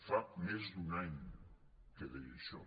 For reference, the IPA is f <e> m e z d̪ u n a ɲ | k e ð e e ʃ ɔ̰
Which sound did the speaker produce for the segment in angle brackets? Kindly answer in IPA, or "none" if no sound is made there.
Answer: a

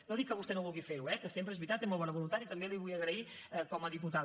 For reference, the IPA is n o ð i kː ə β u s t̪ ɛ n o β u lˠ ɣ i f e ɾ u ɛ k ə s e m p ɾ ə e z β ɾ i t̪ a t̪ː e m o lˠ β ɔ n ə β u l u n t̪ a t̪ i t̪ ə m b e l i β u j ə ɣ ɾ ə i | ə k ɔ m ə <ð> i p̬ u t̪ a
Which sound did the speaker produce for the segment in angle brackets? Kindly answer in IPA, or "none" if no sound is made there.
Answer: ð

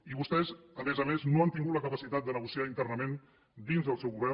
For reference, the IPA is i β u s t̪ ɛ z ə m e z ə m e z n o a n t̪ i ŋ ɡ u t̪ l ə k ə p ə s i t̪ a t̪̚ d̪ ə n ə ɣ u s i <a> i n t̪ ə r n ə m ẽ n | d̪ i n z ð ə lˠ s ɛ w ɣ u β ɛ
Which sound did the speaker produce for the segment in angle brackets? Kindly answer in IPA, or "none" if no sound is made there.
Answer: a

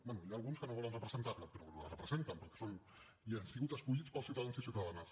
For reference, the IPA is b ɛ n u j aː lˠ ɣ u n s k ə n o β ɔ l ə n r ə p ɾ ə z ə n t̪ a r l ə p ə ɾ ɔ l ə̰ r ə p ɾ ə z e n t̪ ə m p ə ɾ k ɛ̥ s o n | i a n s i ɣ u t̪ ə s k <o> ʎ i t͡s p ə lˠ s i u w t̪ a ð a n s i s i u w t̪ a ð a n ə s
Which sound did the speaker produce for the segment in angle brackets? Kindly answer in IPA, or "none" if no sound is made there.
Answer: u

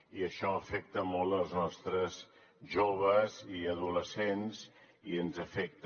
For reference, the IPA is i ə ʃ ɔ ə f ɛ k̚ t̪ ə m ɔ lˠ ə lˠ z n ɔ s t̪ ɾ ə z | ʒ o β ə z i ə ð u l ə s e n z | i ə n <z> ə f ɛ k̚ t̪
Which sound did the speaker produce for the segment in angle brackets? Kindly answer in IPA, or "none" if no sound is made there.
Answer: z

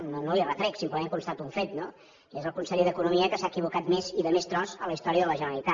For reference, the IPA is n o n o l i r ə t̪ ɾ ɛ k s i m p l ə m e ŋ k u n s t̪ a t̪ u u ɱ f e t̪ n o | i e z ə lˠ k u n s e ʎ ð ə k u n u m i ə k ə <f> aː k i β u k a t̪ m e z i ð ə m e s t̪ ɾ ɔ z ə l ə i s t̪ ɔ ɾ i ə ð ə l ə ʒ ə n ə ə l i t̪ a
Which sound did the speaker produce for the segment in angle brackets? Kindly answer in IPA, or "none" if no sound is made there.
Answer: s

